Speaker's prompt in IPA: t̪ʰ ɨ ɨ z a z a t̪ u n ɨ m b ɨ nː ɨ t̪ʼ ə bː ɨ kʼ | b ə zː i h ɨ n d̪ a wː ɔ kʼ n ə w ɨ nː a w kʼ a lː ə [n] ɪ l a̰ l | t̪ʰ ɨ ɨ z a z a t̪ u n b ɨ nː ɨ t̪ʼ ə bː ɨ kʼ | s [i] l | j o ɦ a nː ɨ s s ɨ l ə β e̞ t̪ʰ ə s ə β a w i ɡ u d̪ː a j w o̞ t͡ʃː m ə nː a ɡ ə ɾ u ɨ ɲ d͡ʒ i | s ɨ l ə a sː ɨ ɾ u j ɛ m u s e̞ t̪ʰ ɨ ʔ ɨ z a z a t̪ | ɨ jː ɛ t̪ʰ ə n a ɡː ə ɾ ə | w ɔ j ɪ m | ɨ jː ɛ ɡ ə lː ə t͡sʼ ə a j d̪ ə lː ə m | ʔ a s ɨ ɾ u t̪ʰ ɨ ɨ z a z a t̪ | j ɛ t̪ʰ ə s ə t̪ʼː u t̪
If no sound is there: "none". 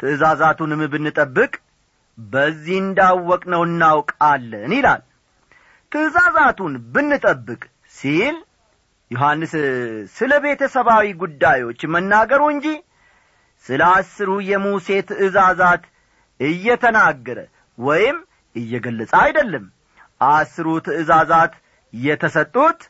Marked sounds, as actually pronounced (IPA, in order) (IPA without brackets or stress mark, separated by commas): n, i